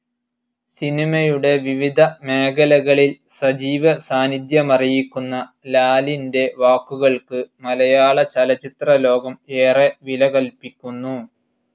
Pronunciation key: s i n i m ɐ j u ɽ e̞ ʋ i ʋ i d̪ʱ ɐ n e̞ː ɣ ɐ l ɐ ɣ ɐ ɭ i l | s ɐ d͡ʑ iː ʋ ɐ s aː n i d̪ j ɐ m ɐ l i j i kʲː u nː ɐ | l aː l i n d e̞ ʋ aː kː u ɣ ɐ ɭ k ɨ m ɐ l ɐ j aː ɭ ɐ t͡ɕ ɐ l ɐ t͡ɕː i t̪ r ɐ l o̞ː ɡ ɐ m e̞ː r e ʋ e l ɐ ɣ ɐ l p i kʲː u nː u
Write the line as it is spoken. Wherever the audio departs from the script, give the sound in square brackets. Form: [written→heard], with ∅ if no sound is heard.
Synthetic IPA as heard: s i n i m ɐ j u ɽ e̞ ʋ i ʋ i d̪ʱ ɐ [n→m] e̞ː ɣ ɐ l ɐ ɣ ɐ ɭ i l | s ɐ d͡ʑ iː ʋ ɐ s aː n i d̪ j ɐ m ɐ [l→r] i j i kʲː u nː ɐ | l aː l i n d e̞ ʋ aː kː u ɣ ɐ ɭ k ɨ m ɐ l ɐ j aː ɭ ɐ t͡ɕ ɐ l ɐ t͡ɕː i t̪ r ɐ l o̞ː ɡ ɐ m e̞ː r e ʋ [e→i] l ɐ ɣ ɐ l p i kʲː u nː u